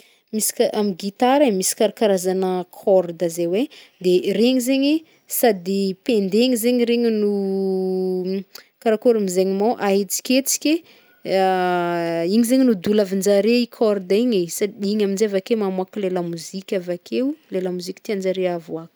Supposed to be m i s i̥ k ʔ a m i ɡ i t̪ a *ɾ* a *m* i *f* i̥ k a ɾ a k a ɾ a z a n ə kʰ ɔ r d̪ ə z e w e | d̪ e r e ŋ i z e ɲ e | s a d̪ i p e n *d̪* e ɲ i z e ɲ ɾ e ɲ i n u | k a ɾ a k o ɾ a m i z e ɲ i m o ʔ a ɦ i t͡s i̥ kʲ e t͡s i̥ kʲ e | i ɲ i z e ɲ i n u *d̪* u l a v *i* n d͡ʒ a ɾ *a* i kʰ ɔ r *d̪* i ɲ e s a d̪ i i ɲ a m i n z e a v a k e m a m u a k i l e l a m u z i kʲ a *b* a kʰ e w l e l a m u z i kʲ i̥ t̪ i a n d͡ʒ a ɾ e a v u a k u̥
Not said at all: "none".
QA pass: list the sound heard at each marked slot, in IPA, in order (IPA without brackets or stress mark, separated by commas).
ɾ, m, s, d̪, d̪, i, e, d̪, v